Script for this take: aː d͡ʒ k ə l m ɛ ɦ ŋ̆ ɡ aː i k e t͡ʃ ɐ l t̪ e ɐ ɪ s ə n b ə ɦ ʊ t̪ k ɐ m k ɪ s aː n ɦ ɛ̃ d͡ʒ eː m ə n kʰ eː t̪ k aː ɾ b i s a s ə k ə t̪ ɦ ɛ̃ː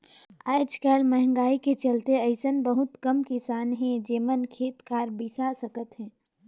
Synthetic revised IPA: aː d͡ʒ k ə l m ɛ ɦ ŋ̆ ɡ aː i k e t͡ʃ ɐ l t̪ e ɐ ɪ s ə n b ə ɦ ʊ t̪ k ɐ m k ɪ s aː n ɦ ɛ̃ d͡ʒ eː m ə n kʰ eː t̪ k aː ɾ b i s a s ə k ə t̪ ɦ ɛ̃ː